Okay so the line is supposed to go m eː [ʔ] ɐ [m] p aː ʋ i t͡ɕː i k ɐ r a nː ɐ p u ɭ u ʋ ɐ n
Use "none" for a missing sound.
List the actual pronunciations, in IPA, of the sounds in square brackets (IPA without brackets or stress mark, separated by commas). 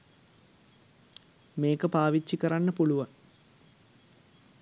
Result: k, none